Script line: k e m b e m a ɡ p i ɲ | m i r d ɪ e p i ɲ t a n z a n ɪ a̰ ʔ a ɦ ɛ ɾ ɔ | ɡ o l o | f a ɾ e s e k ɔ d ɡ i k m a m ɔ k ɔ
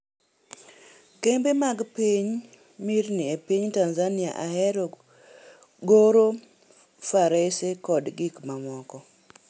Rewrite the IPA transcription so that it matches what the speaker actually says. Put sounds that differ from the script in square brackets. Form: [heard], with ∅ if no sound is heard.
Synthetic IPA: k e m b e m a ɡ p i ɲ | m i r [n] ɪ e p i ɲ t a n z a n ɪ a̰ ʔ a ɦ ɛ ɾ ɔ | ɡ o [ɾ] o | f a ɾ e s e k ɔ d ɡ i k m a m ɔ k ɔ